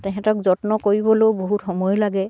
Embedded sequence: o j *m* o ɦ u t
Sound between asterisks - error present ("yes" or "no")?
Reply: yes